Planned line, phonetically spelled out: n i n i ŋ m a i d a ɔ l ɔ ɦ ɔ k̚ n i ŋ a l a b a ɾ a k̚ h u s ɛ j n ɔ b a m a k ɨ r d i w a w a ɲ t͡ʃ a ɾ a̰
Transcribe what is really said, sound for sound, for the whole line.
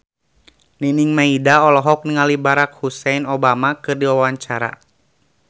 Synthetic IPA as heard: n i n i ŋ m a i d a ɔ l ɔ ɦ ɔ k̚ n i ŋ a l i b a ɾ a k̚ h u s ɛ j n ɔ b a m a k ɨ r d i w a w a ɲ t͡ʃ a ɾ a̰